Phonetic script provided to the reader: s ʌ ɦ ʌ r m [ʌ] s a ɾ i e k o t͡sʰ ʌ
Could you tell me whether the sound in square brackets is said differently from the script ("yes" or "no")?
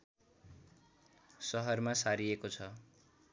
yes